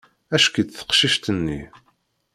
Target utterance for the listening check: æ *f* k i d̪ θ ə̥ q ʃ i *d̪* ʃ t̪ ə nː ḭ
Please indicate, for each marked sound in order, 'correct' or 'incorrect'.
incorrect, incorrect

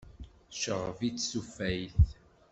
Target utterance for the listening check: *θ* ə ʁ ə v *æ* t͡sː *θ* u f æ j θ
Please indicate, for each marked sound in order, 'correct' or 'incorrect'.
incorrect, incorrect, incorrect

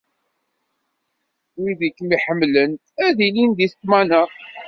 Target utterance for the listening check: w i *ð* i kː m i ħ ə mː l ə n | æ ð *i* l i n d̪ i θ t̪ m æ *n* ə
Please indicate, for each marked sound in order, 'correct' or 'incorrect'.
correct, correct, correct

